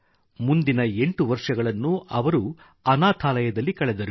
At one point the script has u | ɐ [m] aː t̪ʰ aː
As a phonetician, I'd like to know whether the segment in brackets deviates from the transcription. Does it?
yes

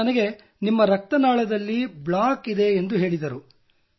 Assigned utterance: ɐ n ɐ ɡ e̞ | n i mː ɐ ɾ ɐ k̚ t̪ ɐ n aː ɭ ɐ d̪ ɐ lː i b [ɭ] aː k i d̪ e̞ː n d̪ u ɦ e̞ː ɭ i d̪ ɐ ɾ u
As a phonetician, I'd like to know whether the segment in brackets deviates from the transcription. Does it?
no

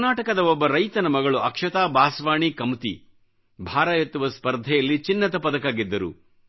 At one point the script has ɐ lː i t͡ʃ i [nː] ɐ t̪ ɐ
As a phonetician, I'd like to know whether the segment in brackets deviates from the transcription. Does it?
no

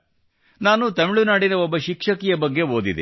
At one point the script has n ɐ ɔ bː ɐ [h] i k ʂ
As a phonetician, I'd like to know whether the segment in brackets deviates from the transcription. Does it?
yes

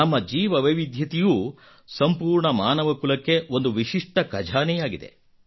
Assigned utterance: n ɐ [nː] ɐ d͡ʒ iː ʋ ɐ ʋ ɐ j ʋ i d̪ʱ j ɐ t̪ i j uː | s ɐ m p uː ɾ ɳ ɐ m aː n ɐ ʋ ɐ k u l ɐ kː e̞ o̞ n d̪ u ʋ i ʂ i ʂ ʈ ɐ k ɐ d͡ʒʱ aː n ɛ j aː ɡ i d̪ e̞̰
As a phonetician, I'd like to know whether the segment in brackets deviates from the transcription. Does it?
yes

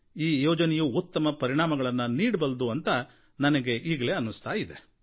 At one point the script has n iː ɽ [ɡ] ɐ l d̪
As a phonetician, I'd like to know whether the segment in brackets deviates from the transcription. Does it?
yes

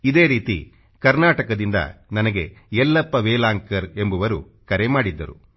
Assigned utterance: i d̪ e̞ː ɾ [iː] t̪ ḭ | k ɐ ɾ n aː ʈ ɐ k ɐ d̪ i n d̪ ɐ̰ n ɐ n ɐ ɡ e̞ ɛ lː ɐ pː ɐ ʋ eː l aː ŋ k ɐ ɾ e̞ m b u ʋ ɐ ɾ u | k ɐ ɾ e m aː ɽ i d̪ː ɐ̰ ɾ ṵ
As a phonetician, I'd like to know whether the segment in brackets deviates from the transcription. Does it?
no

